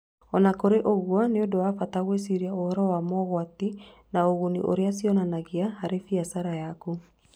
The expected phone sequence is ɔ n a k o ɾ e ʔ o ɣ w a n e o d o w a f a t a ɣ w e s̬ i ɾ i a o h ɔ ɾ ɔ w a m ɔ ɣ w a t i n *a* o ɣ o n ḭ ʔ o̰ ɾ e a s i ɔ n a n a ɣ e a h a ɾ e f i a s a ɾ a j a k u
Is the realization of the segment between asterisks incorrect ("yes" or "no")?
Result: no